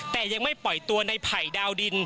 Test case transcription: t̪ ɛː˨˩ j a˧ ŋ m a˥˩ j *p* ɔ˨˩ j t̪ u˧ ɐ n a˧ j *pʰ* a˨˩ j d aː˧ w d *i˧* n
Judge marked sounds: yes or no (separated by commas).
yes, yes, yes